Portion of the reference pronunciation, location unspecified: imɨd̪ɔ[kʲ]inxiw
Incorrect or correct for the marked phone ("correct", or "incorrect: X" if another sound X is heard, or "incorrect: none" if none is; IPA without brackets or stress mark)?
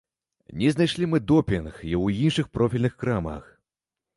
incorrect: pʲ